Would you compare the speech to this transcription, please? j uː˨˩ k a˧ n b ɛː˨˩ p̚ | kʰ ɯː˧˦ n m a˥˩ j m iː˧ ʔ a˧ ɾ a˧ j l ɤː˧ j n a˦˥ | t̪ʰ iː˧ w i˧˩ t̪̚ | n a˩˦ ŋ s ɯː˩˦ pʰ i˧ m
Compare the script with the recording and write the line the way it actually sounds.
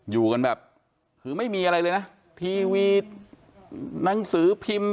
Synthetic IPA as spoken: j uː˨˩ k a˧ n b ɛː˨˩ p̚ | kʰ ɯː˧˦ m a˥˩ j m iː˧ ʔ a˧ ɾ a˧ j l ɤː˧ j n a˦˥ | t̪ʰ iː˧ w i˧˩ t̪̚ | n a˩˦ ŋ s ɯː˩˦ pʰ i˧ m